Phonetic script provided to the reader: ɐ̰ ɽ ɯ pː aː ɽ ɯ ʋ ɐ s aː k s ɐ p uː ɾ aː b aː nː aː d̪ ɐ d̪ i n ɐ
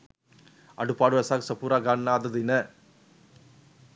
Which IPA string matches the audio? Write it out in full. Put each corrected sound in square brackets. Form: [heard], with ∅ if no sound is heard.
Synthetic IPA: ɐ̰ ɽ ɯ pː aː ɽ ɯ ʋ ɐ s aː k s ɐ p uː ɾ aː [ɡ] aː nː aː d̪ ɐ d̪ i n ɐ